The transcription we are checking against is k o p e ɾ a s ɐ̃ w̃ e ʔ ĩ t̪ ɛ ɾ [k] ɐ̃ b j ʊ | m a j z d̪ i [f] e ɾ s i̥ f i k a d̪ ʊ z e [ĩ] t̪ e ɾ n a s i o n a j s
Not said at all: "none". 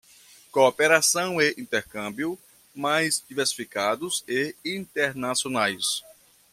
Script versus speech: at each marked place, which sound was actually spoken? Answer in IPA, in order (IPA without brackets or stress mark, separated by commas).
k, v, ĩ